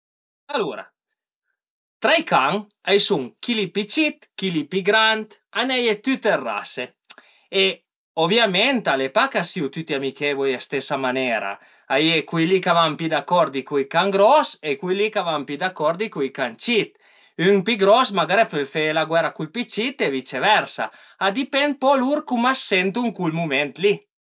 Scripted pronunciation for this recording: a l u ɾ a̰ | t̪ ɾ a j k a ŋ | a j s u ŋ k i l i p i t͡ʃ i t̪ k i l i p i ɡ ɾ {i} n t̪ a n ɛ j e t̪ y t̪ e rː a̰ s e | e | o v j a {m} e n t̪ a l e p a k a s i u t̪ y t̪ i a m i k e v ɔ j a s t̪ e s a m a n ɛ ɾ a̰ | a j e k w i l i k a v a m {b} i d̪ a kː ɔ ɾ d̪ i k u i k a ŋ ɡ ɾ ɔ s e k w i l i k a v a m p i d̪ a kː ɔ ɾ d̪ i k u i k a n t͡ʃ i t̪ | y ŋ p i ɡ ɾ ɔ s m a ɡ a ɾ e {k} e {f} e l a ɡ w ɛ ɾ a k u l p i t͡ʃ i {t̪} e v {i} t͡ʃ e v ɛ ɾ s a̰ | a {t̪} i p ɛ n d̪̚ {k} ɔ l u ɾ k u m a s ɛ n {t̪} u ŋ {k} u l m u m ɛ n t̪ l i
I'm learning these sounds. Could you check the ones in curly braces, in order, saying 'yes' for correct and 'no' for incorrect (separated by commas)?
no, yes, no, no, yes, yes, yes, no, no, yes, yes